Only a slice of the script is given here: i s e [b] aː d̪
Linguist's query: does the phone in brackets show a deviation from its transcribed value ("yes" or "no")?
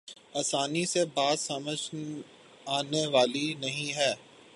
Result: no